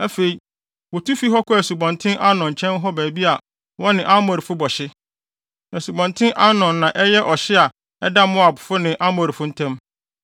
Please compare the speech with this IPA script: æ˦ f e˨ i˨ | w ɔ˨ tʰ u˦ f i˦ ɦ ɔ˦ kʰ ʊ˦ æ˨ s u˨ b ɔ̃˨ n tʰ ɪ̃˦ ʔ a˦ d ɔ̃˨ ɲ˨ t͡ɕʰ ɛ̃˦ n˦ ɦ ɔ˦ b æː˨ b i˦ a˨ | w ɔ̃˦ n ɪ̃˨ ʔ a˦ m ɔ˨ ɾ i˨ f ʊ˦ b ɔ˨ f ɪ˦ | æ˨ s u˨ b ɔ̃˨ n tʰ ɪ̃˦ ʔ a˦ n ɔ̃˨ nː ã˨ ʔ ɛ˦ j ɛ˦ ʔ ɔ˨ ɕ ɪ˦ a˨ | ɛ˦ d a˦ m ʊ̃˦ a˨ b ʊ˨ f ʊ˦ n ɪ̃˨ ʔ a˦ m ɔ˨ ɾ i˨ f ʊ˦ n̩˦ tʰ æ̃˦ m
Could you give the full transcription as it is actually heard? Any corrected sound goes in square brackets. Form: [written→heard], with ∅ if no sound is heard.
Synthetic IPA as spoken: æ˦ f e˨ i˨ | w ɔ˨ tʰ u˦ f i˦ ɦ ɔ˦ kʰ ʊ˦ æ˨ s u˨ b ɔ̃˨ n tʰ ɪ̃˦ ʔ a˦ [d→n] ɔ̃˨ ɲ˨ t͡ɕʰ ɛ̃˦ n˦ ɦ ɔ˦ b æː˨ b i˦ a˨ | w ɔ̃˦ n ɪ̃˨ ʔ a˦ m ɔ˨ ɾ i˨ f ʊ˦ b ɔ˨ [f→ɕ] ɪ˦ | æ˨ s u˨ b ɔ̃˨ n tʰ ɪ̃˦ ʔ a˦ n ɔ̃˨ nː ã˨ ʔ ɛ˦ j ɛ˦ ʔ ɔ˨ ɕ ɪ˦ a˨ | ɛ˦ d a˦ m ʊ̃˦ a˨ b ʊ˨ f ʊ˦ n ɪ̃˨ ʔ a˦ m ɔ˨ ɾ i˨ f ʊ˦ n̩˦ tʰ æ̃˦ m